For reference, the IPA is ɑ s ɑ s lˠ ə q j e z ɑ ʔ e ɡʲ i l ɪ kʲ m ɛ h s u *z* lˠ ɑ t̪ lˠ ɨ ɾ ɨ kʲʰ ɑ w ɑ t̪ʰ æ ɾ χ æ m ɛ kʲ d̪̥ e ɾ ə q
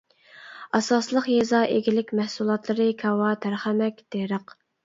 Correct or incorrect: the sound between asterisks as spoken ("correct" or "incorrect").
incorrect